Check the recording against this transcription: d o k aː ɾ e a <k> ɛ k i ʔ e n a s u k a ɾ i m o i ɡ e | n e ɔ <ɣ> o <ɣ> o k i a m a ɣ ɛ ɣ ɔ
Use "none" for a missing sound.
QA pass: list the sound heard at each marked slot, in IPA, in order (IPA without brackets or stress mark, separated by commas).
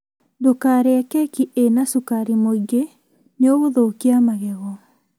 k, ɣ, ð